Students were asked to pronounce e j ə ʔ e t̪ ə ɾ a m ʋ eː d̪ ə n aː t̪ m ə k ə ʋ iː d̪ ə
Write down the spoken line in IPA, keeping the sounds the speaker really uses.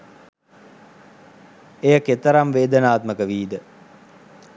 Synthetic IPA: e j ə k e t̪ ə ɾ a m ʋ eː d̪ ə n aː t̪ m ə k ə ʋ iː d̪ ə